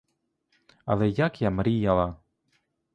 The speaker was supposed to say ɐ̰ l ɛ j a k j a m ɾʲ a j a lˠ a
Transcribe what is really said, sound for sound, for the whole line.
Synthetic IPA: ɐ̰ l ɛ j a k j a m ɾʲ i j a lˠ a